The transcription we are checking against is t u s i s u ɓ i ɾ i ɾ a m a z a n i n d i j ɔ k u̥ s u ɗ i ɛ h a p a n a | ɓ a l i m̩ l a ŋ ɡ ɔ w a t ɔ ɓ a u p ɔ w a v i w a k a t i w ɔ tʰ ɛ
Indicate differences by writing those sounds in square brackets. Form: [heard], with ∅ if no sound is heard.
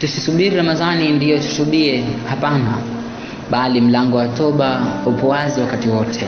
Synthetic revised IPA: t u s i s u ɓ i ɾ i ɾ a m a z a n i n d i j ɔ [t] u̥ s u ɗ i ɛ h a p a n a | ɓ a l i m̩ l a ŋ ɡ ɔ w a t ɔ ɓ a u p ɔ w a [z] i w a k a t i w ɔ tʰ ɛ